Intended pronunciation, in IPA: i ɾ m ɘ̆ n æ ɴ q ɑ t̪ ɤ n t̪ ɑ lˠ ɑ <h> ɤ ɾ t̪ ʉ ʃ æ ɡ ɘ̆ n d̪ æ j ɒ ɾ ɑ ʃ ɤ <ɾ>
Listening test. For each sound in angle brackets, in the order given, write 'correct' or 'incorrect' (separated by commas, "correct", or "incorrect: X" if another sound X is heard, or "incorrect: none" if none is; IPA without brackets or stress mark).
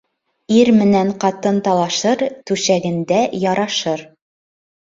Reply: incorrect: ʃ, correct